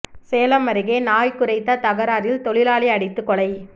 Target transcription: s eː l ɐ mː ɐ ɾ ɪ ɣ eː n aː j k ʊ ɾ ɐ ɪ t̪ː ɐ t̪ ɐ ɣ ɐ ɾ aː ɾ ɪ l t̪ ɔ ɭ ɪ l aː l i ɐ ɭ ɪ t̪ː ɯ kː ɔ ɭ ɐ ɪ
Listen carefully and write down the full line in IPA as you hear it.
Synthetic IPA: s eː l ɐ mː ɐ ɾ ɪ ɣ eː n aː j k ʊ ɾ ɐ ɪ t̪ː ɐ t̪ ɐ ɣ ɐ ɾ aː ɾ ɪ l t̪ ɔ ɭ ɪ l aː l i ɐ ɽ ɪ t̪ː ɯ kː ɔ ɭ ɐ ɪ